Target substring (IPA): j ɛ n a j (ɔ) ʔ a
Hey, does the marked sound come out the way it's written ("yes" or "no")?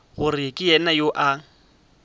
no